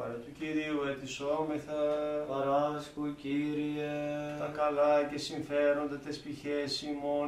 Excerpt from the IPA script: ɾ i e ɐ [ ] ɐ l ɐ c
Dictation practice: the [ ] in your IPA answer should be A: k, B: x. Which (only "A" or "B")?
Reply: A